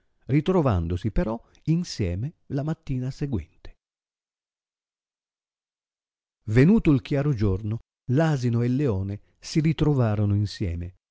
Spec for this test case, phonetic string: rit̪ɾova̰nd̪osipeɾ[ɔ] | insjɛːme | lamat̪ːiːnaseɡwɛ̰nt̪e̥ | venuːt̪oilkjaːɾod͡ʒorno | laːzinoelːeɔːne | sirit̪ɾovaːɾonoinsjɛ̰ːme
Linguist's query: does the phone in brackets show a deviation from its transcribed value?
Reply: no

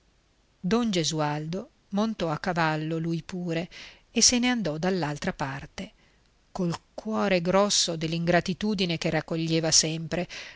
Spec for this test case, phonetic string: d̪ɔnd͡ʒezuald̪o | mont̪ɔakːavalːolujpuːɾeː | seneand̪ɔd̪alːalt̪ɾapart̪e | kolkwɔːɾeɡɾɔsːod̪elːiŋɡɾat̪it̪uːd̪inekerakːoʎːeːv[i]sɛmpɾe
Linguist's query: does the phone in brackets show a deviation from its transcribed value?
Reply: yes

